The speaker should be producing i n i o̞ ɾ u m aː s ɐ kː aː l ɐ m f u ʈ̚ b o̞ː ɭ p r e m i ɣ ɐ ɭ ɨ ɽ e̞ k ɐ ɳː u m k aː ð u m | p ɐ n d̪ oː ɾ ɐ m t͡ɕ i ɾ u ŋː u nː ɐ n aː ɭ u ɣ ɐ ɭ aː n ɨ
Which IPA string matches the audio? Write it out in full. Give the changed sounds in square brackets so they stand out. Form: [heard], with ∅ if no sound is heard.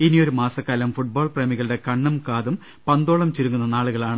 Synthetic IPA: i n i o̞ ɾ u m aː s ɐ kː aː l ɐ m f u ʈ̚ b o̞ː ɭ p r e m i ɣ ɐ ɭ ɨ ɽ e̞ k ɐ ɳː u m k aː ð u m | p ɐ n d̪ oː [ɭ] ɐ m t͡ɕ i ɾ u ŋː u nː ɐ n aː ɭ u ɣ ɐ ɭ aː [ɳ] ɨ